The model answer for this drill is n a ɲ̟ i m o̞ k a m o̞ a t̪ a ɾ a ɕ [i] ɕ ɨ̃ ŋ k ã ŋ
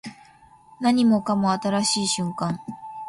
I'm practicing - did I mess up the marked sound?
yes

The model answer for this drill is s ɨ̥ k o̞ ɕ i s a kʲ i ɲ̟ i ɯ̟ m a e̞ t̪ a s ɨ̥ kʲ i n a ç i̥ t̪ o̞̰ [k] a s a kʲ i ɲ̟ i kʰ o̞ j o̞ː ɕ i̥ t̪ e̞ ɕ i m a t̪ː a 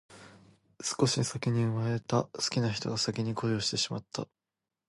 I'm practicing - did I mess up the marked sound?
yes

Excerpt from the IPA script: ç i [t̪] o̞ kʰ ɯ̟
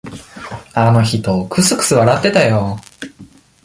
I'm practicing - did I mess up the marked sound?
no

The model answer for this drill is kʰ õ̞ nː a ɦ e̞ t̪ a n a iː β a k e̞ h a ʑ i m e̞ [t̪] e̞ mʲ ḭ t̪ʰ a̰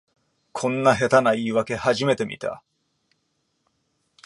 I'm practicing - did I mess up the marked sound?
no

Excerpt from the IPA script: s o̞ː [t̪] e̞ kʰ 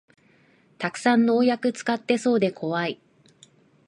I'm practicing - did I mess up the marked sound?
yes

